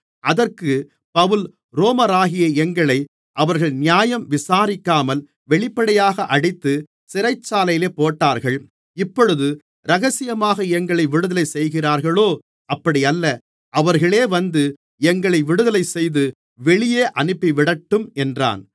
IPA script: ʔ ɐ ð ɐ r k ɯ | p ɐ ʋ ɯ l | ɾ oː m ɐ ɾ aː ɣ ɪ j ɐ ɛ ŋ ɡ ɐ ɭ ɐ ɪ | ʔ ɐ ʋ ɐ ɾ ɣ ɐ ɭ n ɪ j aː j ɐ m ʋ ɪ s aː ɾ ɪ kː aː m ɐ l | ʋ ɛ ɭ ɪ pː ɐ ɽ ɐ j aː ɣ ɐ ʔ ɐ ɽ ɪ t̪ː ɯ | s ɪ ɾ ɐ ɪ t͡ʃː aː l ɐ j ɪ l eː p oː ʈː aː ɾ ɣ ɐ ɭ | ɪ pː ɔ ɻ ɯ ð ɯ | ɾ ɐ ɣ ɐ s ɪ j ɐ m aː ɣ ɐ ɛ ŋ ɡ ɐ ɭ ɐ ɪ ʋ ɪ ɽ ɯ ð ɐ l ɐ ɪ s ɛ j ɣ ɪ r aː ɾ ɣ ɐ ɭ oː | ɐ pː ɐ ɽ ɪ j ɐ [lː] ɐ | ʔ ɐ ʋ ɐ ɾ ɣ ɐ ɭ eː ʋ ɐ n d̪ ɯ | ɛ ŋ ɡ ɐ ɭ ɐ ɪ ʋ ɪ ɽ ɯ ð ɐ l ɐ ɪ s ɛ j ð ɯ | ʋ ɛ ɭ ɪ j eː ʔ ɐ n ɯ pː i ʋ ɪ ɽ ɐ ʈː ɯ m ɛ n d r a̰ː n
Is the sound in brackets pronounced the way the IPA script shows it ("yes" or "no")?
yes